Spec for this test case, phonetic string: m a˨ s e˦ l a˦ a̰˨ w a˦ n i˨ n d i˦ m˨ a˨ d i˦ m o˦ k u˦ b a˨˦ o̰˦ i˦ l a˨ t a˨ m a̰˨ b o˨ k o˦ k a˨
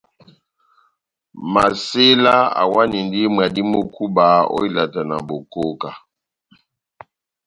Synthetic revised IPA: m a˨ s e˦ l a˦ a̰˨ w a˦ n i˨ n d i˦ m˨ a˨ d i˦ m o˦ k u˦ b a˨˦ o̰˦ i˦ l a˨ t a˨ n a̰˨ b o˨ k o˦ k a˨

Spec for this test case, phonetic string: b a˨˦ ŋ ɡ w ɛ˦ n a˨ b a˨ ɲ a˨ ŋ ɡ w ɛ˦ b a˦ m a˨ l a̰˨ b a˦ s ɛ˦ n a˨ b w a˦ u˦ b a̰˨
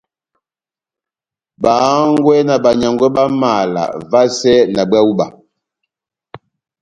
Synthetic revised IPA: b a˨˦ ŋ ɡ w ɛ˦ n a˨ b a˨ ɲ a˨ ŋ ɡ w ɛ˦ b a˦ m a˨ l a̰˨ v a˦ s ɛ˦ n a˨ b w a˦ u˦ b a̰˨

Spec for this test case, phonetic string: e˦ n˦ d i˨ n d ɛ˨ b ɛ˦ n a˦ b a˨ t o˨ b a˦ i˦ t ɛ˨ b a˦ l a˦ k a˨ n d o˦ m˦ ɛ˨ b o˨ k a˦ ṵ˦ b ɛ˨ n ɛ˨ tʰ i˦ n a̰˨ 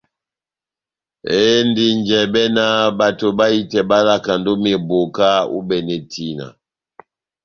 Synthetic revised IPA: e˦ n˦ d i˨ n d͡ʒ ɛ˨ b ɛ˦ n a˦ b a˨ t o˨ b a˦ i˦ t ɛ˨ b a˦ l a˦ k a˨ n d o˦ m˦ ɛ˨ b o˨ k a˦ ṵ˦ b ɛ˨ n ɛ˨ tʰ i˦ n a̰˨

